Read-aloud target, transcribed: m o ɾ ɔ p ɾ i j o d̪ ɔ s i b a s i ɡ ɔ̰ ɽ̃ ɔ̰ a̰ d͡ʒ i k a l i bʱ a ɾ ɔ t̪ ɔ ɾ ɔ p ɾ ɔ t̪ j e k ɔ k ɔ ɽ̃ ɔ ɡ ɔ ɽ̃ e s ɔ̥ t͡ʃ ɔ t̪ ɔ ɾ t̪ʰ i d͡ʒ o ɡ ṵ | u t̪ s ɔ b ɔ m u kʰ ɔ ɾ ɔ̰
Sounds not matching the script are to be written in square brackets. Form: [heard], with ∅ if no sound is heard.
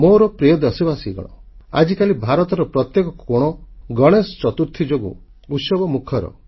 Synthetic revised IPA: m o ɾ ɔ p ɾ i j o d̪ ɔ s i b a s i ɡ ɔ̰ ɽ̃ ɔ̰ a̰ d͡ʒ i k a l i bʱ a ɾ ɔ t̪ ɔ ɾ ɔ p ɾ ɔ t̪ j e k ɔ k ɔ ɽ̃ ɔ ɡ ɔ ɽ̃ e s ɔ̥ t͡ʃ ɔ t̪ [u] ɾ t̪ʰ i d͡ʒ o ɡ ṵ | u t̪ s ɔ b ɔ m u kʰ ɔ ɾ ɔ̰